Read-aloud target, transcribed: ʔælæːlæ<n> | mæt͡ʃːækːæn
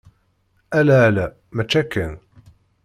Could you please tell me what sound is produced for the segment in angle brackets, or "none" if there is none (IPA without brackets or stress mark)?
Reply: none